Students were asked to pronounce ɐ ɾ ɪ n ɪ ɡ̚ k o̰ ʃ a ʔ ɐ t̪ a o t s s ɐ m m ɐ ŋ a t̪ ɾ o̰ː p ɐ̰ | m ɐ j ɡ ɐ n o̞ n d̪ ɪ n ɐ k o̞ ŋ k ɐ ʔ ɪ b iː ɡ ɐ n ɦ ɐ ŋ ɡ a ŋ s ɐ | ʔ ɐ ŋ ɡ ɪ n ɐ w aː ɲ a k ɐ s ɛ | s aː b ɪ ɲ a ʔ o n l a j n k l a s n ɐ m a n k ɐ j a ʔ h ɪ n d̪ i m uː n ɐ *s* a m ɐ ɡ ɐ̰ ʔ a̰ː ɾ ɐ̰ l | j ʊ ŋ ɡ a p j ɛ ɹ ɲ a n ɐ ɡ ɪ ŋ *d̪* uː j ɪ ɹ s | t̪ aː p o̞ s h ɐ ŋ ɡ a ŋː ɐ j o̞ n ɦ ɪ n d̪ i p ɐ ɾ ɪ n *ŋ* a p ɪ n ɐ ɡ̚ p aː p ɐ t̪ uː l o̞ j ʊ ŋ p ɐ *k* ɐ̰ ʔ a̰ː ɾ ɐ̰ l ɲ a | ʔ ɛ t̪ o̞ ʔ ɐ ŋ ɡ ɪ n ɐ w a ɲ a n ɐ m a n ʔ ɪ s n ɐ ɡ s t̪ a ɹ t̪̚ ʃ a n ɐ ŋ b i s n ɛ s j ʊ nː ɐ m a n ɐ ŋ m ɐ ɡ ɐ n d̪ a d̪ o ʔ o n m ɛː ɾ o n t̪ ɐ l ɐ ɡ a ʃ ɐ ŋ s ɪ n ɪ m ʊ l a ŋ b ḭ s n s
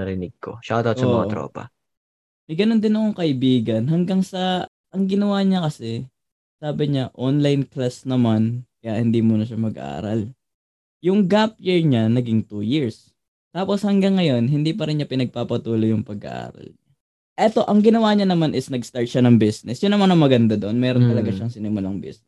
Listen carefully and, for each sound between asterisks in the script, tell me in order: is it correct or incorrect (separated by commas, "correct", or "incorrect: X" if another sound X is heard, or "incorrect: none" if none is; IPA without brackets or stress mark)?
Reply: incorrect: ʃ, incorrect: t̪, incorrect: ɲ, incorrect: ɡ